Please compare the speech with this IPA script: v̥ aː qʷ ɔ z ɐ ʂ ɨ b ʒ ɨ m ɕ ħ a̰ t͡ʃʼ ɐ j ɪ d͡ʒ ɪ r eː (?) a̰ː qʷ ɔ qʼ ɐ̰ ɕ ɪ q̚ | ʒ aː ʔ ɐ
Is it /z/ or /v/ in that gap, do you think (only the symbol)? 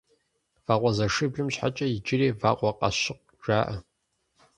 v